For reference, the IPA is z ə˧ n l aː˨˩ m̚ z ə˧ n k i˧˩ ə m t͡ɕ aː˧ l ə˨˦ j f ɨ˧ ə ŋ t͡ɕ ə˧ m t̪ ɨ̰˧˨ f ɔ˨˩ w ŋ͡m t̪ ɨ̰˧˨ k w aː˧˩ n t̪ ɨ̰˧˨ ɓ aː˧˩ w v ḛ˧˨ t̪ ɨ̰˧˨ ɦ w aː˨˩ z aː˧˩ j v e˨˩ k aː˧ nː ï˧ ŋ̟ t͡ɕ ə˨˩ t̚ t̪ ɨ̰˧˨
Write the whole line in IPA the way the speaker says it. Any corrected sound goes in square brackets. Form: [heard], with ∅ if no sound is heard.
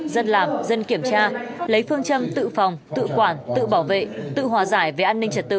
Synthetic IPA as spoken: z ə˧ n l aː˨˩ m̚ z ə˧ n k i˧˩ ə m t͡ɕ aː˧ l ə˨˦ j f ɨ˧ ə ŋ t͡ɕ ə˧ m t̪ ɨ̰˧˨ f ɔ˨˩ w ŋ͡m t̪ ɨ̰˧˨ k w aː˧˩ n t̪ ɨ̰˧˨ ɓ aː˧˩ w v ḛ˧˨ t̪ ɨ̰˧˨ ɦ w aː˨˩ z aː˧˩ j v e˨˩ [ʔ] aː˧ nː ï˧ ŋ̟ t͡ɕ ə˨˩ t̚ t̪ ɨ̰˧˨